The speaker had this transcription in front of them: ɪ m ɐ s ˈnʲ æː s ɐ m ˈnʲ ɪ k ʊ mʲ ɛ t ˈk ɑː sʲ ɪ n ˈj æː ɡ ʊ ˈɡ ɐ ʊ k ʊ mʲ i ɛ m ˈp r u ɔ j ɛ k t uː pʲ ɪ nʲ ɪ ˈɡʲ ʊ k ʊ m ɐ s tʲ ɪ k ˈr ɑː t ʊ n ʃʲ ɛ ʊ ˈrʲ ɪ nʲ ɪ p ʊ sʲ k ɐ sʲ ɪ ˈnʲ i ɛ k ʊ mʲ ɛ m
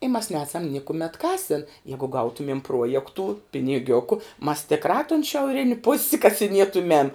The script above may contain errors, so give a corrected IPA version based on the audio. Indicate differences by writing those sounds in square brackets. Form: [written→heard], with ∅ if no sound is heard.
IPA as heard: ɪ m ɐ s ˈnʲ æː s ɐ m ˈnʲ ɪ k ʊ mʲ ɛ t ˈk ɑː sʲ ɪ n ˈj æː ɡ ʊ ˈɡ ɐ ʊ [k→t] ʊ mʲ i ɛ m ˈp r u ɔ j ɛ k t uː pʲ ɪ nʲ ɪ ˈɡʲ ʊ k ʊ m ɐ s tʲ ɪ k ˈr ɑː t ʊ n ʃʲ ɛ ʊ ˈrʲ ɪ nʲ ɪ p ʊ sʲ k ɐ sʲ ɪ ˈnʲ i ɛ [k→t] ʊ mʲ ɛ m